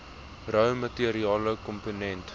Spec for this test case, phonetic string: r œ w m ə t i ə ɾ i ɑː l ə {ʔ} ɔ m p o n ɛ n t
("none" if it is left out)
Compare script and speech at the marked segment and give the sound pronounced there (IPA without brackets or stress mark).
k